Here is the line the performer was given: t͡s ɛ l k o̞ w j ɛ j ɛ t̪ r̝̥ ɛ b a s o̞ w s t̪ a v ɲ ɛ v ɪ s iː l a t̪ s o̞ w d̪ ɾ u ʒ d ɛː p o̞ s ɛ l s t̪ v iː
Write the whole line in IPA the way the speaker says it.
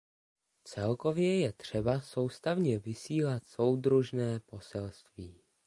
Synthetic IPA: t͡s ɛ l k o̞ v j ɛ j ɛ t̪ r̝̥ ɛ b a s o̞ w s t̪ a v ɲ ɛ v ɪ s iː l a t̪ s o̞ w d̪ ɾ u ʒ n ɛː p o̞ s ɛ l s t̪ v iː